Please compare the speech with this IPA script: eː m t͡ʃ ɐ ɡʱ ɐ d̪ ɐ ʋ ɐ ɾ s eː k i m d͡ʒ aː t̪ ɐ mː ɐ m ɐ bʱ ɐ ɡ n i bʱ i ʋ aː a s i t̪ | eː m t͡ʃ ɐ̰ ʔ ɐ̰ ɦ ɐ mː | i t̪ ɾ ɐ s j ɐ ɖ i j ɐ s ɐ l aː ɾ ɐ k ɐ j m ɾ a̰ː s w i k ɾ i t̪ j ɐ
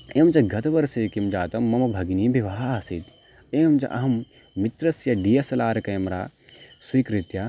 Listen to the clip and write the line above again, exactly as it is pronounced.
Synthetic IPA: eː m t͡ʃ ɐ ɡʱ ɐ t̪ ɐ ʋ ɐ ɾ s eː k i m d͡ʒ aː t̪ ɐ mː ɐ m ɐ bʱ ɐ ɡ n i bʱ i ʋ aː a s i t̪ | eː m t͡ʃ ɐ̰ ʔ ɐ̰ ɦ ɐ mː | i t̪ ɾ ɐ s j ɐ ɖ i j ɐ s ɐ l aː ɾ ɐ k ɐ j m ɾ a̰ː s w i k ɾ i t̪ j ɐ

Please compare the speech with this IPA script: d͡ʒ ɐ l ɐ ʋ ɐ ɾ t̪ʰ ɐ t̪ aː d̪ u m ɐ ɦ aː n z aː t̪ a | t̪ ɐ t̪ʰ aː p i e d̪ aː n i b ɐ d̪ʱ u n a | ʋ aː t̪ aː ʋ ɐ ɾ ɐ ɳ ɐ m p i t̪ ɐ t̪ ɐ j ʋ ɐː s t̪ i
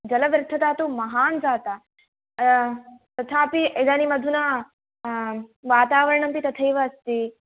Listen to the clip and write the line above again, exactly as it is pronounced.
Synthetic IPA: d͡ʒ ɐ l ɐ ʋ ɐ ɾ t̪ʰ ɐ t̪ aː t̪ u m ɐ ɦ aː n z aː t̪ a | t̪ ɐ t̪ʰ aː p i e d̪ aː n i m ɐ d̪ʱ u n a | ʋ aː t̪ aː ʋ ɐ ɾ ɐ ɳ ɐ m p i t̪ ɐ t̪ʰ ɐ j ʋ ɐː s t̪ i

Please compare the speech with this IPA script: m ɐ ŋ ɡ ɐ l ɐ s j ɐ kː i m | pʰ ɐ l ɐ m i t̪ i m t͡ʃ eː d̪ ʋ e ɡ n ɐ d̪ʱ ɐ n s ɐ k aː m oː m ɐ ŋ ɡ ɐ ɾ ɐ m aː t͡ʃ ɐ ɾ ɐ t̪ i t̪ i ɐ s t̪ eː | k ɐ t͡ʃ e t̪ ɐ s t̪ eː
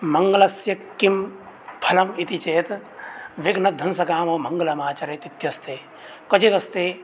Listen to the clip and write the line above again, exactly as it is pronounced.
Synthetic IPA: m ɐ ŋ ɡ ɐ l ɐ s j ɐ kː i m | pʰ ɐ l ɐ m i t̪ i t͡ʃ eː t̪ ʋ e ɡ n ɐ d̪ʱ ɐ n s ɐ k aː m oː m ɐ ŋ ɡ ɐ l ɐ m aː t͡ʃ ɐ ɾ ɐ t̪ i t̪ j ɐ s t̪ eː | k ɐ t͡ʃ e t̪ ɐ s t̪ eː

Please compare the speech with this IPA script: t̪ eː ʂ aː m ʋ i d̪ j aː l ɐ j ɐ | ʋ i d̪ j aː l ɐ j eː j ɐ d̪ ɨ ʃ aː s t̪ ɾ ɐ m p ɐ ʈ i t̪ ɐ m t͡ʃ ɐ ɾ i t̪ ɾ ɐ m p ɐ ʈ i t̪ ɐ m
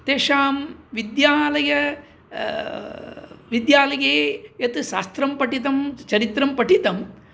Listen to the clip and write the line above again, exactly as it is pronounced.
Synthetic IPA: t̪ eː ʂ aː m ʋ i d̪ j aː l ɐ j ɐ | ʋ i d̪ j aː l ɐ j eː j ɐ t̪ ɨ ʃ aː s t̪ ɾ ɐ m p ɐ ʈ i t̪ ɐ m t͡ʃ ɐ ɾ i t̪ ɾ ɐ m p ɐ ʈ i t̪ ɐ m

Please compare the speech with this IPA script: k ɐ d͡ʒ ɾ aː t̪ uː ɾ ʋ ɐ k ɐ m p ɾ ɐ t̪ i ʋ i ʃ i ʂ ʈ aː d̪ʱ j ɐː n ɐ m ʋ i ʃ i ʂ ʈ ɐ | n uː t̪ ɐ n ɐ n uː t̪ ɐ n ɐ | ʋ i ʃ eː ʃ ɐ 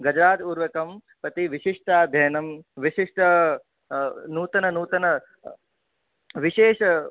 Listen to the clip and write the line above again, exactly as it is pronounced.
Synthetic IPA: ɡ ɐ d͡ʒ ɾ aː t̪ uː ɾ ʋ ɐ k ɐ m p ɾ ɐ t̪ i ʋ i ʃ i ʂ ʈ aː d̪ʱ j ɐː n ɐ m ʋ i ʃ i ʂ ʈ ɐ | n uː t̪ ɐ n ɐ n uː t̪ ɐ n ɐ | ʋ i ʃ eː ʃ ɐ

